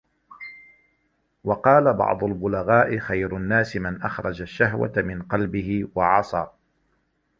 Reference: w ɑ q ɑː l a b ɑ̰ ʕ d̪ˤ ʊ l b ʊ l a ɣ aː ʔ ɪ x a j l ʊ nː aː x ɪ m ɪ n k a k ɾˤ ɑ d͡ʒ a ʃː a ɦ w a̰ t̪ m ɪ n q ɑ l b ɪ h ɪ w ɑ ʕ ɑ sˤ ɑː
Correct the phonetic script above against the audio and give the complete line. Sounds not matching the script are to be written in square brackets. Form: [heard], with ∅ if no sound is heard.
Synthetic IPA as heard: w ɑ q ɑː l a b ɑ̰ ʕ d̪ˤ ʊ l b ʊ l a ɣ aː ʔ ɪ x a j [ɾ] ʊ nː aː [s] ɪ m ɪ n [ʔ] a [x] ɾˤ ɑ d͡ʒ a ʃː a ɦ w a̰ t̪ m ɪ n q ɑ l b ɪ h ɪ w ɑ ʕ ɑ sˤ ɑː